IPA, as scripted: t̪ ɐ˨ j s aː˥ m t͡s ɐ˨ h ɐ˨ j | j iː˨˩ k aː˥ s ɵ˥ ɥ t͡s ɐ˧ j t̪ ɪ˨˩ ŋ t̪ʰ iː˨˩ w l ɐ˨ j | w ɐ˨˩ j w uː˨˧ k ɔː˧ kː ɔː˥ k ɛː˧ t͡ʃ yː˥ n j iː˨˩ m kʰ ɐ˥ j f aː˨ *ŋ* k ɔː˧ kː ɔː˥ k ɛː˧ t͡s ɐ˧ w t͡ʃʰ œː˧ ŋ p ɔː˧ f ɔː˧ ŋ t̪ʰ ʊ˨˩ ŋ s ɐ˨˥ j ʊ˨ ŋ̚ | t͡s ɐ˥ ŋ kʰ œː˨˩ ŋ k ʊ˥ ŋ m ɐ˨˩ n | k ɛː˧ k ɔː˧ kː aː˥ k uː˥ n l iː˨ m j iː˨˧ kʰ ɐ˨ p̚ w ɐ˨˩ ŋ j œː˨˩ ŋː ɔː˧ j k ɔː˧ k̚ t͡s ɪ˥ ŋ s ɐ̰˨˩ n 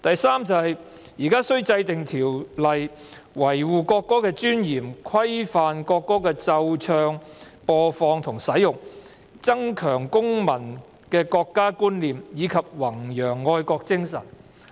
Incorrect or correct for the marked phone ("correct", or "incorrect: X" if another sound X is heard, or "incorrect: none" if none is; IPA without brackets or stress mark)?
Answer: incorrect: n